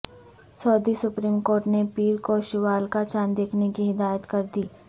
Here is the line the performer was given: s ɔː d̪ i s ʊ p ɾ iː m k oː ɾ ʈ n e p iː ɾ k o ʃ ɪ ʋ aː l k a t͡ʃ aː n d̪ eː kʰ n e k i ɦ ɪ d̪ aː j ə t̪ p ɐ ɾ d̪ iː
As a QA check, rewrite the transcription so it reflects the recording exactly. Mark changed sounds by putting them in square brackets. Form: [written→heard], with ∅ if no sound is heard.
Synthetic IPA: s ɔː d̪ i s ʊ p ɾ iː m k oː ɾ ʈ n e p iː ɾ k o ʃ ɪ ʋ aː l k a t͡ʃ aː n d̪ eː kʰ n e k i ɦ ɪ d̪ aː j ə t̪ [p→k] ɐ ɾ d̪ iː

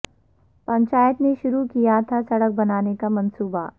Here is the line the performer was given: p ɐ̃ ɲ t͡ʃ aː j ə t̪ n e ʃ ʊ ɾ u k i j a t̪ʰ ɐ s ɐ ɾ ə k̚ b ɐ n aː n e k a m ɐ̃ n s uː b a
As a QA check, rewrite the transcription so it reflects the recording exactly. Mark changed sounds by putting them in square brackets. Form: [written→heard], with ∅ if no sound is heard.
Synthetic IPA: p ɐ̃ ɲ t͡ʃ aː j ə t̪ n e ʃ ʊ ɾ u k i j a t̪ʰ [ɐ→a] s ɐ [ɾ→ɽ] ə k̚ b ɐ n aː n e k a m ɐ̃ n s uː b a

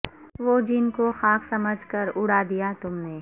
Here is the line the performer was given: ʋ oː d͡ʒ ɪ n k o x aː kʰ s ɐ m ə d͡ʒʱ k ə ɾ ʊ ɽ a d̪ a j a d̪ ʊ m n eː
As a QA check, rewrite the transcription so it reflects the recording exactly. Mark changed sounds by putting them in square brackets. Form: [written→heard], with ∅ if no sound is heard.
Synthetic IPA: ʋ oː d͡ʒ ɪ n k o x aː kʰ s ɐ m ə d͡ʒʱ k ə ɾ ʊ ɽ a d̪ [a→i] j a [d̪→t̪] ʊ m n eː

